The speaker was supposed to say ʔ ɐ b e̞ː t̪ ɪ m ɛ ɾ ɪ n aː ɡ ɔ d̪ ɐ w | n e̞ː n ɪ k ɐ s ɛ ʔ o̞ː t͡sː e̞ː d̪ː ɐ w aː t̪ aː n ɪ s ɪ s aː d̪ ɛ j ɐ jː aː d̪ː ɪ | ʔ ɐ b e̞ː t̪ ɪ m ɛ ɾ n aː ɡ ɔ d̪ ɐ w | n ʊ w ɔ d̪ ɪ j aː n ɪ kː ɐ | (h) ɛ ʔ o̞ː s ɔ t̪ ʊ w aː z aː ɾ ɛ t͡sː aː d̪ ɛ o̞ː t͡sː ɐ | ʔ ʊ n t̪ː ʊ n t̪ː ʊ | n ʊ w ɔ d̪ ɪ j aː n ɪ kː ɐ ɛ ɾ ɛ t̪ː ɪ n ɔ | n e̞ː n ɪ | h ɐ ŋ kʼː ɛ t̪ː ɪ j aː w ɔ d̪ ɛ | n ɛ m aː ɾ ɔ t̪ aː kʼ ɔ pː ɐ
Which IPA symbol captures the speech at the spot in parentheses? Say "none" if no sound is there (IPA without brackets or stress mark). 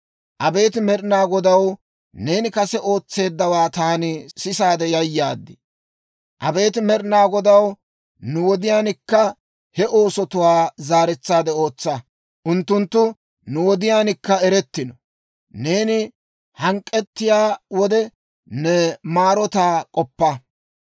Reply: h